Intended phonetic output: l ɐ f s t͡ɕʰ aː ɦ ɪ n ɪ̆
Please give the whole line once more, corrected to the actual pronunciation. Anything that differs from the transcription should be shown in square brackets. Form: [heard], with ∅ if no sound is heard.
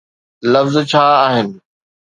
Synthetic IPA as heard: l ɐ f [z] t͡ɕʰ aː ɦ ɪ n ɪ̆